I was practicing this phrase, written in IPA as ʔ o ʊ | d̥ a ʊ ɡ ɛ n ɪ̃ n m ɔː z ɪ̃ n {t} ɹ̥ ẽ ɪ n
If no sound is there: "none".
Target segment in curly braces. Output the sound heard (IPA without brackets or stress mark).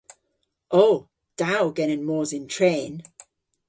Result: tʰ